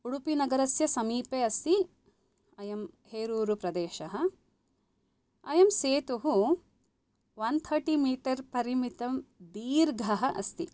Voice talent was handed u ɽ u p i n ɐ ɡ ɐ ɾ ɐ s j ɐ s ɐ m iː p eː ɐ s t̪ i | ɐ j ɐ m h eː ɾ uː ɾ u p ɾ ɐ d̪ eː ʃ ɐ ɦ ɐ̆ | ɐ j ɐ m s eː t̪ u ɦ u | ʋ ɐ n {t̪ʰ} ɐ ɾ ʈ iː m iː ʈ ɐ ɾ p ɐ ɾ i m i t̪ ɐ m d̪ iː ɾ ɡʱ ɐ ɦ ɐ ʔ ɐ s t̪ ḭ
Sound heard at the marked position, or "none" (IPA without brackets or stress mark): t̪ʰ